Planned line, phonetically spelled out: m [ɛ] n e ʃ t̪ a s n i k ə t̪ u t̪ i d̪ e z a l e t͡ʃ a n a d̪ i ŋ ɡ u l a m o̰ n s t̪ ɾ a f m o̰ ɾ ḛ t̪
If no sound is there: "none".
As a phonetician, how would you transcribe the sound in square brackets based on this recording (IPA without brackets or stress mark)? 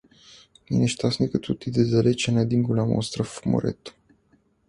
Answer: i